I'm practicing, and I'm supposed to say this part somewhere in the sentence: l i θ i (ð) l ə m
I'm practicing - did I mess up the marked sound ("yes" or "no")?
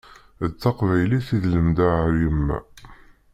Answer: no